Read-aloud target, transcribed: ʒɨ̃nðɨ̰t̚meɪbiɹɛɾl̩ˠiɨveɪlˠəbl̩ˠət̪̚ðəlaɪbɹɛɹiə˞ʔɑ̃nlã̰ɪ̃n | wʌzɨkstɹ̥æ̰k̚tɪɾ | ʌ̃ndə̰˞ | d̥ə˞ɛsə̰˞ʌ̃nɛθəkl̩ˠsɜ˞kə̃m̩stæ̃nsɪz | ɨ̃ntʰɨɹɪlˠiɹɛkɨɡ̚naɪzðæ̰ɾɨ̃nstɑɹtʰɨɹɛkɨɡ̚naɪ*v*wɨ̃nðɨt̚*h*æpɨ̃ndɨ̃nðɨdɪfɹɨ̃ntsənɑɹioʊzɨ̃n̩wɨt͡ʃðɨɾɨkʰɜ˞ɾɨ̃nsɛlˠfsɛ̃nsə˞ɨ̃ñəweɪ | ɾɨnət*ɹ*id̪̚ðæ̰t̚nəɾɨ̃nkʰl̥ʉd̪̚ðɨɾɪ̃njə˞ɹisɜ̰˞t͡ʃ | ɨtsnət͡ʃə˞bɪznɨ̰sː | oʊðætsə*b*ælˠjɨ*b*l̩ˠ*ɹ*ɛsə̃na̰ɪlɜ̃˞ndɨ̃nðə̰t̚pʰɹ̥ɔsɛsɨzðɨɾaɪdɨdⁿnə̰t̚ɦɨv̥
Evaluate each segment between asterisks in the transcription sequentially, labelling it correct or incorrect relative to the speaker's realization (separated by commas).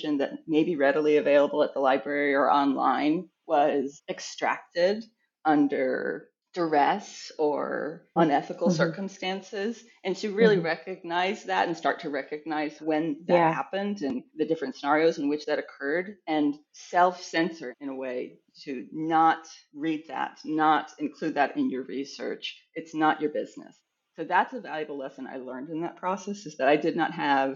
incorrect, correct, correct, incorrect, correct, incorrect